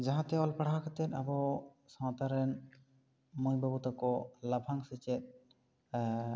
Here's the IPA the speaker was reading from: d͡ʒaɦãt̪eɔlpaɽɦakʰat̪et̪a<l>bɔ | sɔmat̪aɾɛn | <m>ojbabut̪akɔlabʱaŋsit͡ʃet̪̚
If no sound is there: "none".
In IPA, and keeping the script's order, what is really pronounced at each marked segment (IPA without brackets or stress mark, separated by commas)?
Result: none, m